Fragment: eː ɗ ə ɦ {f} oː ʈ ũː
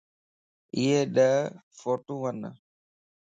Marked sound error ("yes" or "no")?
no